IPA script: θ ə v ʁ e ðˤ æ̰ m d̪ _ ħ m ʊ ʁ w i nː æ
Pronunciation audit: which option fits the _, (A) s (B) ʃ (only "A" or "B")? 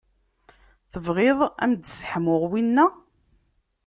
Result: A